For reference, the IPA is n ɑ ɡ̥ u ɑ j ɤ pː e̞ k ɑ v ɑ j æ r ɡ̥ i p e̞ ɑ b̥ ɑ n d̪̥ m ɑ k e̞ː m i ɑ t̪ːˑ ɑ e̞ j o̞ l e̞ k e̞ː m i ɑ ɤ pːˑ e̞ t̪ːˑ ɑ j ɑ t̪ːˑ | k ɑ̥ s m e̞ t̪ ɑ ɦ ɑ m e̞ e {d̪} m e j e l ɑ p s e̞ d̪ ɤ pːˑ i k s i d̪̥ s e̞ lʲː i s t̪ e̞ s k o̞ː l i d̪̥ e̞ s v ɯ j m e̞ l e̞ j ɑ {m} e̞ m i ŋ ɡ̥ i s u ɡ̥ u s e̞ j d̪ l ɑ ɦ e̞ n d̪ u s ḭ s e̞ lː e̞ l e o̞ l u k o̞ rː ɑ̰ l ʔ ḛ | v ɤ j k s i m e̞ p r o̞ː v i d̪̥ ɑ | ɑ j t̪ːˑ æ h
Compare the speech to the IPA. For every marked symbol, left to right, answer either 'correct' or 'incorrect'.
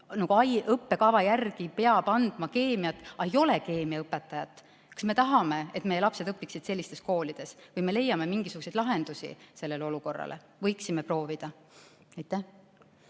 incorrect: t̪, correct

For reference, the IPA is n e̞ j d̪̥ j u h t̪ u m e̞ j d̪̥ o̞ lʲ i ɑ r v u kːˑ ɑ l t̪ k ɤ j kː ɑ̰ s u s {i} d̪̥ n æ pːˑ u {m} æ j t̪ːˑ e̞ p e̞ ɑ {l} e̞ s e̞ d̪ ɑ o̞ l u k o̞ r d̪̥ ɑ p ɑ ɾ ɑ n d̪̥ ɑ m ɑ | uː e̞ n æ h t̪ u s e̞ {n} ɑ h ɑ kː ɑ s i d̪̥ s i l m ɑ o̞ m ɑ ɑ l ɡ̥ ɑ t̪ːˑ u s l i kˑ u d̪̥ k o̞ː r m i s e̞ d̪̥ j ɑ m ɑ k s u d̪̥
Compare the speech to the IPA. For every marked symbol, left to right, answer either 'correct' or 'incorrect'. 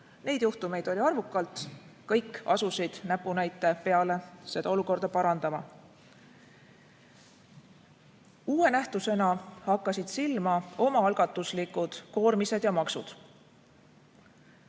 correct, incorrect: n, correct, correct

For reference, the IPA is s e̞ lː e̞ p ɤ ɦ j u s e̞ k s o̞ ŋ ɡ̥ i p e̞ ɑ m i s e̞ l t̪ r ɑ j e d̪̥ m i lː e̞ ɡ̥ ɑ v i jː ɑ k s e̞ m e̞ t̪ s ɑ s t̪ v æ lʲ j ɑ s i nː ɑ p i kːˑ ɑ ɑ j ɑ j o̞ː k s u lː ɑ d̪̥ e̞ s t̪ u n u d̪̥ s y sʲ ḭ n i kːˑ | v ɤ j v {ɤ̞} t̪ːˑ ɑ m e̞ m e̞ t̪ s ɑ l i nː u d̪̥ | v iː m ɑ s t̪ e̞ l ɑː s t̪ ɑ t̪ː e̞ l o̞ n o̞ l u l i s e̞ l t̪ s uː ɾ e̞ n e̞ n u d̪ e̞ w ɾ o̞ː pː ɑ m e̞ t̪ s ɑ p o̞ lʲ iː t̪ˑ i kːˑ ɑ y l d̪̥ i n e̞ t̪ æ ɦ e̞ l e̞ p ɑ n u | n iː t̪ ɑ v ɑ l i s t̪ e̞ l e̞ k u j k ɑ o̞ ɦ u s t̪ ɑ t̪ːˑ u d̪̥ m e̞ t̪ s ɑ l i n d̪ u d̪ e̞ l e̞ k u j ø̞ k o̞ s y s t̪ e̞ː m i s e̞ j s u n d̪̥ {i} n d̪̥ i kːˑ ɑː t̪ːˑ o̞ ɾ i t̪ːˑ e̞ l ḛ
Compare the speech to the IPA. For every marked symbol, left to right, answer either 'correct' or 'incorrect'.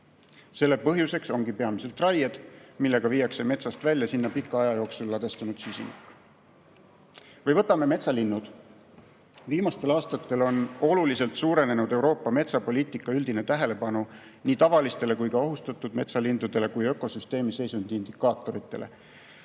correct, correct

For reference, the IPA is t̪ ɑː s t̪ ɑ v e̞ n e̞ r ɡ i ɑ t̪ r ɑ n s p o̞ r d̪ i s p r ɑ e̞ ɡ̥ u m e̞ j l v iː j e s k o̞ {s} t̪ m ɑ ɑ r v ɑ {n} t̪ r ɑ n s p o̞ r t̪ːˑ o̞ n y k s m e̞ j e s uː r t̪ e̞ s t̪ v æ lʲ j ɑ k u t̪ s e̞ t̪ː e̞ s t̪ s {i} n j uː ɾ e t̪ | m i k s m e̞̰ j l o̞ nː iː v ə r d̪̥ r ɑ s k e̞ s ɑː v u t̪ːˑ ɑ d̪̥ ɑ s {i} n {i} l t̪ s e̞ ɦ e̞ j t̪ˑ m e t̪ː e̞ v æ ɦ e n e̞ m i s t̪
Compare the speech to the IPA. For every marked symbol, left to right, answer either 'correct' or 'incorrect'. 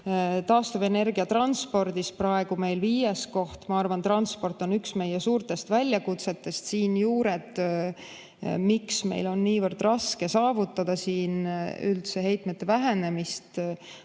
incorrect: h, correct, incorrect: iː, incorrect: iː, incorrect: y

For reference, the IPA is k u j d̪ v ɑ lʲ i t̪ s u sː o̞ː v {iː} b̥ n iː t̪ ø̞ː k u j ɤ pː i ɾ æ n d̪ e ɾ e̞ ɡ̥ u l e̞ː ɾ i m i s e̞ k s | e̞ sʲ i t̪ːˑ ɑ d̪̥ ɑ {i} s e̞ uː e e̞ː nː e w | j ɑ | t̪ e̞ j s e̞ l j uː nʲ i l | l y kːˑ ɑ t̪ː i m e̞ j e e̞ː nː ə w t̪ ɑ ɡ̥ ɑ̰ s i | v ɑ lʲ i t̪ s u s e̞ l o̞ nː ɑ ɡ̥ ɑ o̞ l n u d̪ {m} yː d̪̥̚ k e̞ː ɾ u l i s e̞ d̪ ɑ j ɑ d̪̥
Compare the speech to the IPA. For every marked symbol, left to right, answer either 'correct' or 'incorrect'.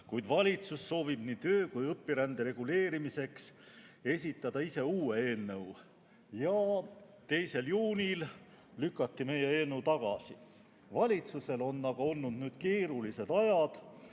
incorrect: i, correct, incorrect: n

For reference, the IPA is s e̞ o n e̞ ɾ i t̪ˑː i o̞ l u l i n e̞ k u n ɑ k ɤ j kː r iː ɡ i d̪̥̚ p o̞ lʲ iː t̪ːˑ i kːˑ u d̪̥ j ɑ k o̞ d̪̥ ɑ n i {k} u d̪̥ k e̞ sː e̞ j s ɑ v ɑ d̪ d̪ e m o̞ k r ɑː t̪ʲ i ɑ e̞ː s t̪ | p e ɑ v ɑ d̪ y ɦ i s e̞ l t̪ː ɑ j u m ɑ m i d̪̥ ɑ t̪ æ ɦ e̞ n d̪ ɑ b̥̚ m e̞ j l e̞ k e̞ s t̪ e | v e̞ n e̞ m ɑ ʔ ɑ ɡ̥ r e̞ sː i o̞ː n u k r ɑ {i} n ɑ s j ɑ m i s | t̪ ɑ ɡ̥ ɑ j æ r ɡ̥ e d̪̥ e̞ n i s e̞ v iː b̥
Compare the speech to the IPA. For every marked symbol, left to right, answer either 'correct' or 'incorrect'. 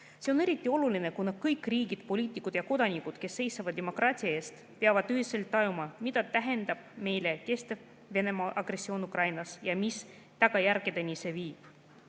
correct, incorrect: j

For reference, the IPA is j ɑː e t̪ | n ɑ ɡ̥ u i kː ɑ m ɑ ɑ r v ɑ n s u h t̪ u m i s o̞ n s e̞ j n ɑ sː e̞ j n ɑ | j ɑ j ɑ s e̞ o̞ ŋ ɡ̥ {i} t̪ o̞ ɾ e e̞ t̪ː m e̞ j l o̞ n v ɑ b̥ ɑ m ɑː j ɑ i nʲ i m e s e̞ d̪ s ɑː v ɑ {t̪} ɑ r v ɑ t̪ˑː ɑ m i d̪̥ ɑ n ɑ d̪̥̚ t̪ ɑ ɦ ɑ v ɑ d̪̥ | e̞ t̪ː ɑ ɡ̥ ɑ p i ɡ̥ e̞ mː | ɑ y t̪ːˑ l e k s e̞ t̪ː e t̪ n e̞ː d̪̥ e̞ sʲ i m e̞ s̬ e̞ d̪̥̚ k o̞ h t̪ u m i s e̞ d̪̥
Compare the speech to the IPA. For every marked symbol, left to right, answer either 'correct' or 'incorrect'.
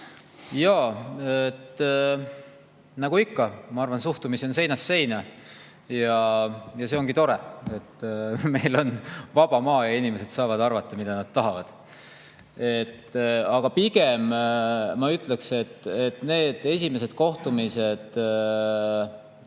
correct, incorrect: d̪

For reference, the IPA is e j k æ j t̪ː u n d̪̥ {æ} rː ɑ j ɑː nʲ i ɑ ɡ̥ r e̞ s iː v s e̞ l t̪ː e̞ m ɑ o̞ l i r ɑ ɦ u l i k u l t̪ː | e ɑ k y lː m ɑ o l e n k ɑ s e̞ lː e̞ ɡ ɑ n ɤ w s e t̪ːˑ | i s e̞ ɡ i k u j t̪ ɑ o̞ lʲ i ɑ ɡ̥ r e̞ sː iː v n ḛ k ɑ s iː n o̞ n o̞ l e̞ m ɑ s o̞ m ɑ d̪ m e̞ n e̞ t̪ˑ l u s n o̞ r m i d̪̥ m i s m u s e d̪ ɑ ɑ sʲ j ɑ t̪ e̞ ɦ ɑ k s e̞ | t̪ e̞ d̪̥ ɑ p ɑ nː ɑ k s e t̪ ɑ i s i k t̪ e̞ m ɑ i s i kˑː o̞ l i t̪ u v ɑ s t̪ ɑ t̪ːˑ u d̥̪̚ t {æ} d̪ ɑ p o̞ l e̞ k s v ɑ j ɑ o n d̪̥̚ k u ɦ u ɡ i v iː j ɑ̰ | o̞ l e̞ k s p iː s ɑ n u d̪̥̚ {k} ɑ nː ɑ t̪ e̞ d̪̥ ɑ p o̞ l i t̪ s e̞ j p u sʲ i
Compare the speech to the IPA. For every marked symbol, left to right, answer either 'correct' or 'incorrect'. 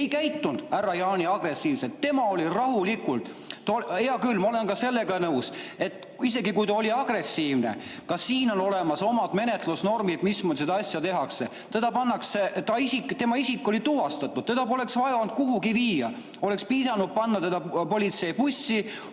correct, incorrect: e, incorrect: p

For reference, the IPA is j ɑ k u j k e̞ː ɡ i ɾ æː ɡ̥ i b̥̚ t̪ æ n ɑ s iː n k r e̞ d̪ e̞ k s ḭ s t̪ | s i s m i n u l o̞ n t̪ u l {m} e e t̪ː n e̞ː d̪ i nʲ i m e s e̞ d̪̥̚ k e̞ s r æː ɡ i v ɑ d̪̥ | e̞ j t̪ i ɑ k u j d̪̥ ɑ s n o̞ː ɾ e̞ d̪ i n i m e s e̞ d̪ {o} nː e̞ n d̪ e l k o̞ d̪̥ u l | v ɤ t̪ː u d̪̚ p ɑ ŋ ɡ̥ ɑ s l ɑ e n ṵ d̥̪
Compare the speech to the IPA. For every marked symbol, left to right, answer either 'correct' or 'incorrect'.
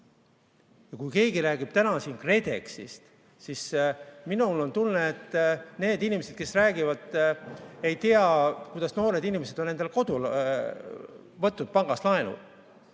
incorrect: n, correct

